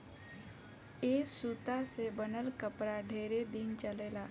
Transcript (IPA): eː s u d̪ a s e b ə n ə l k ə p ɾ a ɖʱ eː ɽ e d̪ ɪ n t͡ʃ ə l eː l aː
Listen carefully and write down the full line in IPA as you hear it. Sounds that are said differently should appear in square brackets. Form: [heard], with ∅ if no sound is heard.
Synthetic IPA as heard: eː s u [t̪] a s e b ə n ə l k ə p ɾ a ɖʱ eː [ɾ] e d̪ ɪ n t͡ʃ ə l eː l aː